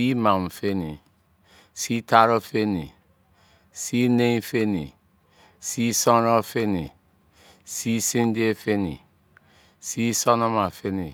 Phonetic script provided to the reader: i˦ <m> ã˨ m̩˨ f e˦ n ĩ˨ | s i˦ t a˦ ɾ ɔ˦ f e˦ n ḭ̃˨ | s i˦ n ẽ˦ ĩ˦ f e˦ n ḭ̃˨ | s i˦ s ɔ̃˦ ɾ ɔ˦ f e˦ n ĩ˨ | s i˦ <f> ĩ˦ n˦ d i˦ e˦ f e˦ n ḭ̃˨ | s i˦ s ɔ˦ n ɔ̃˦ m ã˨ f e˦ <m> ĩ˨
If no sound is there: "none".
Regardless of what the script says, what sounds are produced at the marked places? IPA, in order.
m, s, n

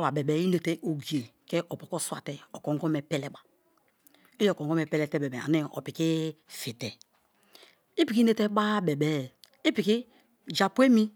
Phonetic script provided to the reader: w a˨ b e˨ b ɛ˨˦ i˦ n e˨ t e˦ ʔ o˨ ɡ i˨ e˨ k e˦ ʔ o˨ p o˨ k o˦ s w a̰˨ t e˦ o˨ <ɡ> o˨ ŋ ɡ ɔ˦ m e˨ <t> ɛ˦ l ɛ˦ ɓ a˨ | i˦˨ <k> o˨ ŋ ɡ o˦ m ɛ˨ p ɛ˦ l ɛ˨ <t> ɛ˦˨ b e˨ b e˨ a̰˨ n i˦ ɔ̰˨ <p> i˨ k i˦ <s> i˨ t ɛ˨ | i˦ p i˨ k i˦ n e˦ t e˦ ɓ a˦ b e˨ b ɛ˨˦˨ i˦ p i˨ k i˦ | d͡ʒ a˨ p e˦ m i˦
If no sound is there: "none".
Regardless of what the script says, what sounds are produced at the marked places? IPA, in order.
k, p, k, t, p, f

